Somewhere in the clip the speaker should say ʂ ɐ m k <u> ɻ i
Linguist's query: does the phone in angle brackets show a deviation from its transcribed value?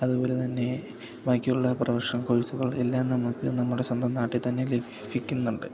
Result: yes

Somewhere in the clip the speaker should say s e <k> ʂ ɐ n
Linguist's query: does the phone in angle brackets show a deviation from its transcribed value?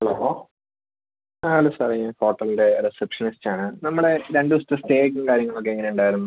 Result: yes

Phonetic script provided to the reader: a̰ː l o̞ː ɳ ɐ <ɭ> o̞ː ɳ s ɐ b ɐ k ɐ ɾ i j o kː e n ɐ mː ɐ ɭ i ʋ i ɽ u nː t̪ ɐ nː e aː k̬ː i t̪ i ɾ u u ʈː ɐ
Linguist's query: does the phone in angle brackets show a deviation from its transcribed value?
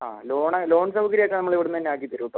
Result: yes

